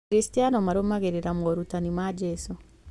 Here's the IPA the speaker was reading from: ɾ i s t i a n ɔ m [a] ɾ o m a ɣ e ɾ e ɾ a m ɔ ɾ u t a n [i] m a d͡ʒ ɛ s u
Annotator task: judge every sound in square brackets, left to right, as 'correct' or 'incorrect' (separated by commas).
correct, correct